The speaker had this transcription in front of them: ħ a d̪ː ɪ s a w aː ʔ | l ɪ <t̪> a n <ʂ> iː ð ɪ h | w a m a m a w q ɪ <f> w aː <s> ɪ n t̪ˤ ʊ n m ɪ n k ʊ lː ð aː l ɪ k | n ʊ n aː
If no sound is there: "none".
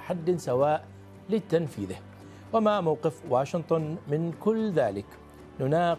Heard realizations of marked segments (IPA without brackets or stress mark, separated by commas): t̪, f, f, ʃ